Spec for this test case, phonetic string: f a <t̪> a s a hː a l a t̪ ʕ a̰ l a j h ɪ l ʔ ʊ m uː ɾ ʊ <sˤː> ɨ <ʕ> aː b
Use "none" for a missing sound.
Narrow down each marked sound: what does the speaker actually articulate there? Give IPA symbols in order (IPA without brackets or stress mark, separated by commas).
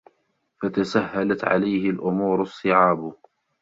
t̪, sˤː, ʕ